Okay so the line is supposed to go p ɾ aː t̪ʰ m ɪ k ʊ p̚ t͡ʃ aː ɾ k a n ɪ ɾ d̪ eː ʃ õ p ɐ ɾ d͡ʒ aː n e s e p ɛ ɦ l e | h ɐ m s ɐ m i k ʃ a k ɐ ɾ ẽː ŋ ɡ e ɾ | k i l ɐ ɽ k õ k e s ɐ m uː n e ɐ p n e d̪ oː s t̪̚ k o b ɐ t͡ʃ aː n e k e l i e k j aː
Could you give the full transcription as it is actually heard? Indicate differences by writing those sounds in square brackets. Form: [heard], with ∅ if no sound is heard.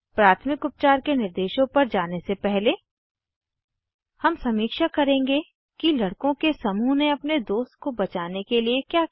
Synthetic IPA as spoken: p ɾ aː t̪ʰ m ɪ k ʊ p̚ t͡ʃ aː ɾ k [e] n ɪ ɾ d̪ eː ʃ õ p ɐ ɾ d͡ʒ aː n e s e p ɛ ɦ l e | h ɐ m s ɐ m [iː] k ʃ a k ɐ ɾ ẽː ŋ ɡ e [∅] | k i l ɐ ɽ k õ k e s ɐ m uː n e ɐ p n e d̪ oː s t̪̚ k o b ɐ t͡ʃ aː n e k e l i e k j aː